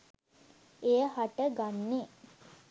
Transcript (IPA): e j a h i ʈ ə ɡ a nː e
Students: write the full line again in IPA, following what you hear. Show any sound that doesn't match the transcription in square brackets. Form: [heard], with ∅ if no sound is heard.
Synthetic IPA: e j [ə] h [a] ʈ ə ɡ a nː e